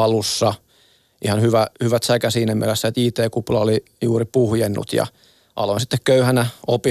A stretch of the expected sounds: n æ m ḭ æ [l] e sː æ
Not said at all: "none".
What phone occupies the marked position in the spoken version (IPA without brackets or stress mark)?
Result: l